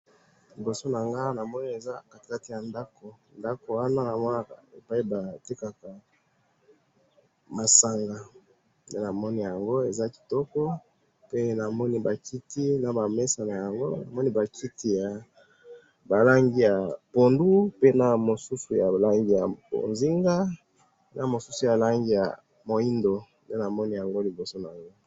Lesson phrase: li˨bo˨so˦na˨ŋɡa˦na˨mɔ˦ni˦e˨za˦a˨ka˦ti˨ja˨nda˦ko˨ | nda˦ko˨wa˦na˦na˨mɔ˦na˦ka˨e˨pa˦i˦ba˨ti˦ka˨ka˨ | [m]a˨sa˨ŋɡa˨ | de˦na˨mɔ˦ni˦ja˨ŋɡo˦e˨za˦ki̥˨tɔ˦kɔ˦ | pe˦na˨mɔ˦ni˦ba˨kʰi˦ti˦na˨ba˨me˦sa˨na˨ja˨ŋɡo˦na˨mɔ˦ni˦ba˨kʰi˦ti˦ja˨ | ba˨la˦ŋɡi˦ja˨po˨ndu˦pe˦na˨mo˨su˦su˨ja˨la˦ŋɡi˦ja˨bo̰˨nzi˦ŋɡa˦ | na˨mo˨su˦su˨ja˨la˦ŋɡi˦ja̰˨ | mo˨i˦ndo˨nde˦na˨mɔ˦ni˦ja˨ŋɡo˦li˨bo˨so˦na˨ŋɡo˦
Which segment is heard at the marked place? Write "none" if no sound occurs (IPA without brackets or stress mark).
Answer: m